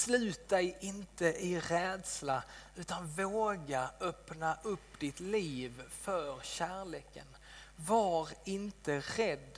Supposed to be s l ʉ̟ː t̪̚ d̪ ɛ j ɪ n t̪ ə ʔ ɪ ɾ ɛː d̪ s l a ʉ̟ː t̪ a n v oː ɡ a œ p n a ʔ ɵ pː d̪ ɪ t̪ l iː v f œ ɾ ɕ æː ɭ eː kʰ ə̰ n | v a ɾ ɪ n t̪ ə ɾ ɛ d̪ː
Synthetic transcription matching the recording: s l ʉ̟ː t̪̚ d̪ ɛ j ɪ n t̪ ə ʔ ɪ ɾ ɛː d̪ s l a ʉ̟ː t̪ a n v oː ɡ a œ p n a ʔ ɵ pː d̪ ɪ t̪ l iː v f œ ɾ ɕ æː ɭ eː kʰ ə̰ n | v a ɾ ɪ n t̪ ə ɾ ɛ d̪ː